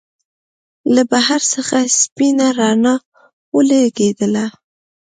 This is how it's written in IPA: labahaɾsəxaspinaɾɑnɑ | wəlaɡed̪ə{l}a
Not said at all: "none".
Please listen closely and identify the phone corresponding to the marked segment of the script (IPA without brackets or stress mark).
l